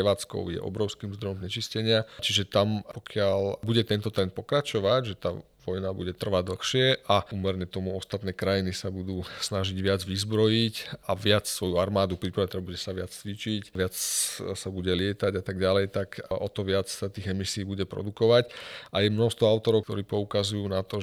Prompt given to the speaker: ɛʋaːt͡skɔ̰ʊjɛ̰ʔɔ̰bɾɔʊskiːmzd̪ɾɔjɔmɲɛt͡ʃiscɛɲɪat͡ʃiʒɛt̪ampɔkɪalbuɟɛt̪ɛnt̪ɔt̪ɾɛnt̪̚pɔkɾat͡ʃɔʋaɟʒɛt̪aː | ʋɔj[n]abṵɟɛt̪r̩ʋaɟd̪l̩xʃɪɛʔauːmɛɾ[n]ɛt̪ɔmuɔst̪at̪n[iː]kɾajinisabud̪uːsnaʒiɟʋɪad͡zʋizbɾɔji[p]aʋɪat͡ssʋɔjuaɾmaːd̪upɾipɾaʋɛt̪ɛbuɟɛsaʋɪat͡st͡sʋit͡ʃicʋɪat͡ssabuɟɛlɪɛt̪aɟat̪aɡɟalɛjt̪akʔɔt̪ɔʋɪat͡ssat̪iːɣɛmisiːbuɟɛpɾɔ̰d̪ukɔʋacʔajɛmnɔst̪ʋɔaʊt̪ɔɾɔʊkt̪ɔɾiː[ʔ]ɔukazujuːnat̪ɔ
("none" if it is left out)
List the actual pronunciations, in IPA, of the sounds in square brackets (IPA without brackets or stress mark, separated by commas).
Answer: n, ɲ, ɛː, c, p